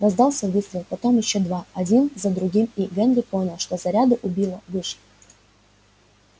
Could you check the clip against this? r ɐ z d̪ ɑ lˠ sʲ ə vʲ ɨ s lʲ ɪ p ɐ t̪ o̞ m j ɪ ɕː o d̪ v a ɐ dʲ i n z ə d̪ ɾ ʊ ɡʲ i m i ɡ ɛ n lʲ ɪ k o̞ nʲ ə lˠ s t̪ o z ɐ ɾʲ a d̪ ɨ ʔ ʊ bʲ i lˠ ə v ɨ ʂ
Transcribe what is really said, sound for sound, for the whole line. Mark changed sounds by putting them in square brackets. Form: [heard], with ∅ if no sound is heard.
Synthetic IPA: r ɐ z d̪ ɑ lˠ sʲ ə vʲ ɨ s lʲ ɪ p ɐ t̪ o̞ m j ɪ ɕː o d̪ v a ɐ dʲ i n z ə d̪ ɾ ʊ ɡʲ i m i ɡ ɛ n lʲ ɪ [p] o̞ nʲ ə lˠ [ʂ] t̪ o z ɐ ɾʲ a d̪ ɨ ʔ ʊ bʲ i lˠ ə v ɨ ʂ